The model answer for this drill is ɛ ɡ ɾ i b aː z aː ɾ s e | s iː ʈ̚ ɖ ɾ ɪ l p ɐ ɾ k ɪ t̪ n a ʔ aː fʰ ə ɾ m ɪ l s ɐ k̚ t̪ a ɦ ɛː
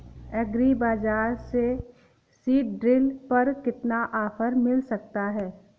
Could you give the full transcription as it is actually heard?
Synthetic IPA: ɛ ɡ ɾ i b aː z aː ɾ s e | s iː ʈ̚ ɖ ɾ ɪ l p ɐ ɾ k ɪ t̪ n a ʔ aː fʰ ə ɾ m ɪ l s ɐ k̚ t̪ a ɦ ɛː